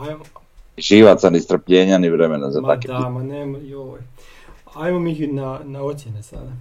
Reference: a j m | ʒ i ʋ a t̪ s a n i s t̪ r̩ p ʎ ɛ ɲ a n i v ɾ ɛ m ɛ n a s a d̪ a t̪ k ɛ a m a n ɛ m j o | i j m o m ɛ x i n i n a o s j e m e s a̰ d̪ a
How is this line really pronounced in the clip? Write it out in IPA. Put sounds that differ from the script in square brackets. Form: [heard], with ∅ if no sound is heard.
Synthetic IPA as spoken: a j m | ʒ i ʋ a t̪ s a n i s t̪ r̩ p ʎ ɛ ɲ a n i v ɾ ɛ m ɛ n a [z] a [t̪] a [∅] k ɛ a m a n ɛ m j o | [a] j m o m [i] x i n [a] n a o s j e [n] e s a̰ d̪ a